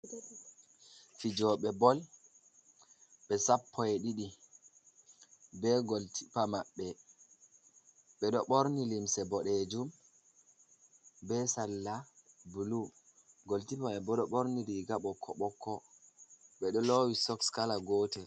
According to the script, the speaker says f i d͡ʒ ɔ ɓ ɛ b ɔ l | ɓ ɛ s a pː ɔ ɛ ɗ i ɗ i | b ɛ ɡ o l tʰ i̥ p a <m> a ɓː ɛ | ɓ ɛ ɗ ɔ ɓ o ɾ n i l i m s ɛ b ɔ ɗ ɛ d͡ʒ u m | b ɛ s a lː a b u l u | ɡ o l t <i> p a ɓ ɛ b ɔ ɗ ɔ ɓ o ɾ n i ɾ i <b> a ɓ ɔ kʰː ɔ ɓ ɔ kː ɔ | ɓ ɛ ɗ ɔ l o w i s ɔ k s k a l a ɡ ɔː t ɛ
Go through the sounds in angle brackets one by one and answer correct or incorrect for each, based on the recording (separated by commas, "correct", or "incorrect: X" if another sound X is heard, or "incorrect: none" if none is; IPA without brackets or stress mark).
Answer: correct, correct, incorrect: ɡ